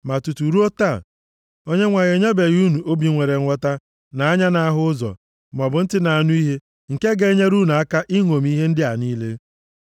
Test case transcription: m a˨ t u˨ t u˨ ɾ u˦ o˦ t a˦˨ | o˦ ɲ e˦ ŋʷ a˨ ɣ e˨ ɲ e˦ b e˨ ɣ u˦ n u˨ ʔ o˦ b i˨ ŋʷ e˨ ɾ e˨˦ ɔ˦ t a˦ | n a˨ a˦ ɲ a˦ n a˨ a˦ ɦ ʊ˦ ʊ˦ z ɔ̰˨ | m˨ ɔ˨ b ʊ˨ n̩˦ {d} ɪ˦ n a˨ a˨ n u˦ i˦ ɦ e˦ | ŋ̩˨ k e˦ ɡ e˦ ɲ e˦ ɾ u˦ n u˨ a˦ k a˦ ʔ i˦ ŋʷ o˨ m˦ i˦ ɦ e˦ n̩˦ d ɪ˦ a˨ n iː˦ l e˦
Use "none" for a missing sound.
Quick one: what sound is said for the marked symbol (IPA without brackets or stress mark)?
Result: t